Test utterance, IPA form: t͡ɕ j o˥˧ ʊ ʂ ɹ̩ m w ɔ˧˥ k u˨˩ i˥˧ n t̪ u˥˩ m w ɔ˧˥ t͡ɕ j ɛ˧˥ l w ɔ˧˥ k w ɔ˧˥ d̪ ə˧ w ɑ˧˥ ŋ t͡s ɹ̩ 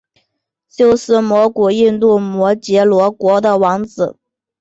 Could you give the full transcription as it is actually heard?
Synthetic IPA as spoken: t͡ɕ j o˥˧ ʊ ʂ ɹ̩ m w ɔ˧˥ k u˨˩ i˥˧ n t̪ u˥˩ m w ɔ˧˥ t͡ɕ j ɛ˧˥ l w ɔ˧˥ k w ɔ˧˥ d̪ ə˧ w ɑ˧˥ ŋ t͡s ɹ̩